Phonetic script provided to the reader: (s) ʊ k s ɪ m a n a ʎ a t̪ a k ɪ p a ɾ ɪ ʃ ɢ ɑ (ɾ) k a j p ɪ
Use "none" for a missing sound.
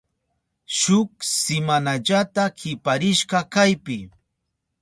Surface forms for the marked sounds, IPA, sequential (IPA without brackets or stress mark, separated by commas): ʃ, none